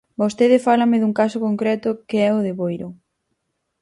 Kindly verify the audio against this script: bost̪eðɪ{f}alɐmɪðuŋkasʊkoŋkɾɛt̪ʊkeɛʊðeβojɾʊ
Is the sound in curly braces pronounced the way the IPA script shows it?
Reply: yes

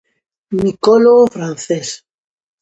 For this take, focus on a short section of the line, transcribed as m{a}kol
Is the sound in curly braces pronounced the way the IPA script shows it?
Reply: no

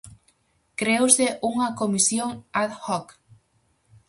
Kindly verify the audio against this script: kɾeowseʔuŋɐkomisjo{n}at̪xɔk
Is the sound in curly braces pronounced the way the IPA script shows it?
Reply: no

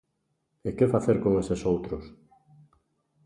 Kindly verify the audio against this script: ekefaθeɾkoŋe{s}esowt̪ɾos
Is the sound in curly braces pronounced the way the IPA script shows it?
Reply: yes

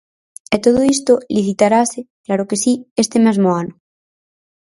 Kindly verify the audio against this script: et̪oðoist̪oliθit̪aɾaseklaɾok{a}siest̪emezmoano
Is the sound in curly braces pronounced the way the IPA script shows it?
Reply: no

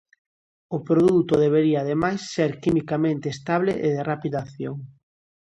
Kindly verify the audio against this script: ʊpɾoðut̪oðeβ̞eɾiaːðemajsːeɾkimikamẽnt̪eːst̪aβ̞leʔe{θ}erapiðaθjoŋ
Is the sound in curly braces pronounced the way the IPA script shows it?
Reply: no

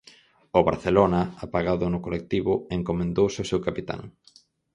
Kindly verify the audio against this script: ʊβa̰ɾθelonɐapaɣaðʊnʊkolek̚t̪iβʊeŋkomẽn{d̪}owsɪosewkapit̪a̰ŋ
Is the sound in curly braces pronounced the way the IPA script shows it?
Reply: yes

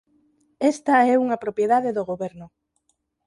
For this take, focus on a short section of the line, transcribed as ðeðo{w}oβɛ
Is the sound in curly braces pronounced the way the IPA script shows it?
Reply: no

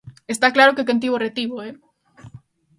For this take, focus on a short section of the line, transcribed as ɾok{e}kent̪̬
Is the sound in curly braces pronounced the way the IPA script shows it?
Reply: yes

